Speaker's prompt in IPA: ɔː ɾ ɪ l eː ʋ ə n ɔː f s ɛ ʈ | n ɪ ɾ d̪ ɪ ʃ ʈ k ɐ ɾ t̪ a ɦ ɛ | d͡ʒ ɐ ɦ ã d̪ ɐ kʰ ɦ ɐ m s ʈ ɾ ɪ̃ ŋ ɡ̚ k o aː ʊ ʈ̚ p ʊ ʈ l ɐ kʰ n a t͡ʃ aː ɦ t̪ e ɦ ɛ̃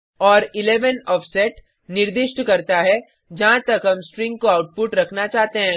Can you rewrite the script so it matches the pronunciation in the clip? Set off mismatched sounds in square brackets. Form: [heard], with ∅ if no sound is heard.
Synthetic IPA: ɔː ɾ ɪ l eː ʋ ə n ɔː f s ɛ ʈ | n ɪ ɾ d̪ ɪ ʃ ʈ k ɐ ɾ t̪ a ɦ ɛ | d͡ʒ ɐ ɦ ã [t̪] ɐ [k] ɦ ɐ m s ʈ ɾ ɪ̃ ŋ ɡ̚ k o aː ʊ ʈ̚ p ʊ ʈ [ɾ] ɐ kʰ n a t͡ʃ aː ɦ t̪ e ɦ ɛ̃